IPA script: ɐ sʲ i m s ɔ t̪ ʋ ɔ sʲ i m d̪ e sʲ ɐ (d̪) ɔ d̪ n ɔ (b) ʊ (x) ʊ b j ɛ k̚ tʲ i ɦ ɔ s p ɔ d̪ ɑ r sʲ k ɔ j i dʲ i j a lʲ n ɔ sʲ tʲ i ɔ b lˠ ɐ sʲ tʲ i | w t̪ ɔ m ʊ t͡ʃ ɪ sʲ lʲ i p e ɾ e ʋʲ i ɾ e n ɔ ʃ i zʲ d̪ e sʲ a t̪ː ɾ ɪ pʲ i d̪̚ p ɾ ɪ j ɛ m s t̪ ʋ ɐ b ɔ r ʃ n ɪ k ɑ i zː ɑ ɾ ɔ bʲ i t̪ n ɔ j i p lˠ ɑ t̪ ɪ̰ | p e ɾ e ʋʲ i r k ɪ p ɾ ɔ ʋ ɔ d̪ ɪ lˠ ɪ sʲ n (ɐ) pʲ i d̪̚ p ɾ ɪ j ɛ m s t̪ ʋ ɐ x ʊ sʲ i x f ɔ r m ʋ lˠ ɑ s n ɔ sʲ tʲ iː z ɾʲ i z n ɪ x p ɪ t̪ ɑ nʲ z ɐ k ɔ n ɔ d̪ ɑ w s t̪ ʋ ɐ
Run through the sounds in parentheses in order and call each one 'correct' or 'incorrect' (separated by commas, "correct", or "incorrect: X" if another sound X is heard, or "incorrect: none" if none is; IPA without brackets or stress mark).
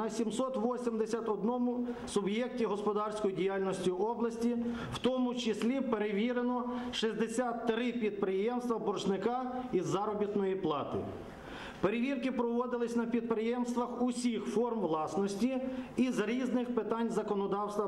incorrect: t̪, incorrect: m, incorrect: s, correct